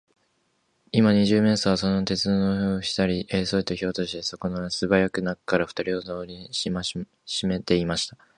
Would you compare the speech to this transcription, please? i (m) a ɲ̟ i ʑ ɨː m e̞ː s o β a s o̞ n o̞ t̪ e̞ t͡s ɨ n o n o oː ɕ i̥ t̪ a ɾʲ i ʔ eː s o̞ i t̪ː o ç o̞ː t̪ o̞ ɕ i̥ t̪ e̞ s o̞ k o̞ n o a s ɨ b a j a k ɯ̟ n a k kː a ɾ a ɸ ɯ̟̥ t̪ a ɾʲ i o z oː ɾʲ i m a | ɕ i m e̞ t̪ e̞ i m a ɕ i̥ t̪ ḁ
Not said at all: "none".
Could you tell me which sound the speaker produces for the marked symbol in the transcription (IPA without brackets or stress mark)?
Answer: m